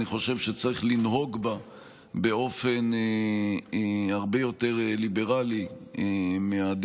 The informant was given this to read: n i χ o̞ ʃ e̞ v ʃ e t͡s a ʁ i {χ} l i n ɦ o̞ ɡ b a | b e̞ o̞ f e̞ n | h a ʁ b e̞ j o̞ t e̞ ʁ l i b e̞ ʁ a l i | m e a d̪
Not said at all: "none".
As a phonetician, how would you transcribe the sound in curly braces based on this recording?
χ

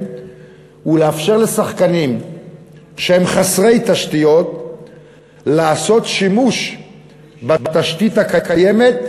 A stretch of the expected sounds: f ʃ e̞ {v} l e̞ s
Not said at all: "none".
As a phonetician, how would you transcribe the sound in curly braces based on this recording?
ʁ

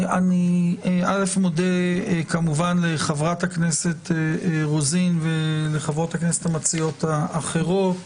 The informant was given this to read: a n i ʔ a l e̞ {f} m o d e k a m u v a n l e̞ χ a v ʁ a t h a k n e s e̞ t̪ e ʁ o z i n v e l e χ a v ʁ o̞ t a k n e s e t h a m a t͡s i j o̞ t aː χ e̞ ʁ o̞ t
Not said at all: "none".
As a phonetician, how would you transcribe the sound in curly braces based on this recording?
f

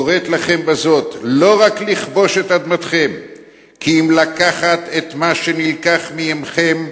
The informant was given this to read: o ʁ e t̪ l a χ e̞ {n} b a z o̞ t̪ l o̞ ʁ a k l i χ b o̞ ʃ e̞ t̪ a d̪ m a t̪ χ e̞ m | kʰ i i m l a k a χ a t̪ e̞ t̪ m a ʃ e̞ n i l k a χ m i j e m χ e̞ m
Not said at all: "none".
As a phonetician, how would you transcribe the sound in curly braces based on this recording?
m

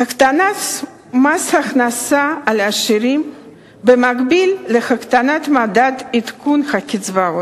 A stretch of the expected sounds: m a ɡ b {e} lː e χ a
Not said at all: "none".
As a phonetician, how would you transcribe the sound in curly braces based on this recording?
i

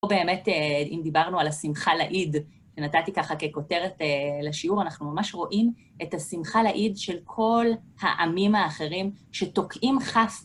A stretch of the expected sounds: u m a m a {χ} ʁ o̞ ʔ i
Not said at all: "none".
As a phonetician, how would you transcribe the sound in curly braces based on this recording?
ʃ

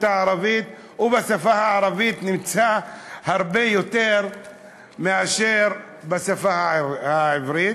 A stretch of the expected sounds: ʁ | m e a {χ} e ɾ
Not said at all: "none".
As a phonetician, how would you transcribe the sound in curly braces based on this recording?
ʃ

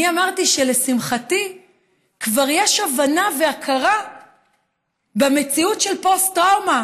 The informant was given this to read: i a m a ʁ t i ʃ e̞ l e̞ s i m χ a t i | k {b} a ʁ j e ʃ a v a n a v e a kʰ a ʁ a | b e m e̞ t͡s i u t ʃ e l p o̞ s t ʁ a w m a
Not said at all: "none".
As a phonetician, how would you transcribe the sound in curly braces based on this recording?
v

